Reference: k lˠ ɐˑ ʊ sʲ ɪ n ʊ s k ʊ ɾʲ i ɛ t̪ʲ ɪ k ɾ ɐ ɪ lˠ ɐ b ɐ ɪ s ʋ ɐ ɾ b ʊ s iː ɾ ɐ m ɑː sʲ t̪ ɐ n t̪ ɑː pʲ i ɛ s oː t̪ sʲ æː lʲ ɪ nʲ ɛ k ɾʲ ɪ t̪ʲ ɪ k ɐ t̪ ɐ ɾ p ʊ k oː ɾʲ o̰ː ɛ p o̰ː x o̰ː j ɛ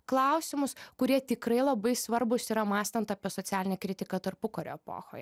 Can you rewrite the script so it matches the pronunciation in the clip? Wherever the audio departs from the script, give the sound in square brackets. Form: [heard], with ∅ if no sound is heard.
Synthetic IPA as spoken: k lˠ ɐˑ ʊ sʲ ɪ [m] ʊ s k ʊ ɾʲ i ɛ t̪ʲ ɪ k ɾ ɐ ɪ lˠ ɐ b ɐ ɪ s ʋ ɐ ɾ b ʊ s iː ɾ ɐ m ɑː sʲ t̪ ɐ n t̪ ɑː pʲ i ɛ s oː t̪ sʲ æː lʲ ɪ nʲ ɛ k ɾʲ ɪ t̪ʲ ɪ k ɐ t̪ ɐ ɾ p ʊ k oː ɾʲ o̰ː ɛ p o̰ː x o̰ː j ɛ